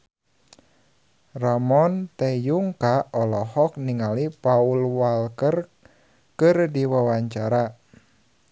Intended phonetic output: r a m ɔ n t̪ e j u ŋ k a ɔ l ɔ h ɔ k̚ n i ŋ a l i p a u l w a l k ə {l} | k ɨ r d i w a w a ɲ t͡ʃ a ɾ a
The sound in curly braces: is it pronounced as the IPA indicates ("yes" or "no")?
no